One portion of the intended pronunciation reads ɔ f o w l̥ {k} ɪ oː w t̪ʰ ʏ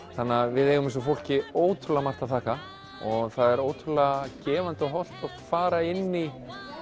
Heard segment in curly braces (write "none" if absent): c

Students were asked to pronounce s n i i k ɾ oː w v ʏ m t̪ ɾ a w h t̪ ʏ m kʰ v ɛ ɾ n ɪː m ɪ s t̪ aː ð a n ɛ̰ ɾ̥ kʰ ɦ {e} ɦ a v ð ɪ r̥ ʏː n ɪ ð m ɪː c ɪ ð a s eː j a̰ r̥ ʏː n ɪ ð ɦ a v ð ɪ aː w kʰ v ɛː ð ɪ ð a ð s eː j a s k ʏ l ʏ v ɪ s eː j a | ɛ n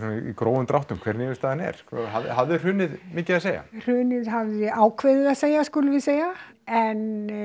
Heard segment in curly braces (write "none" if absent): a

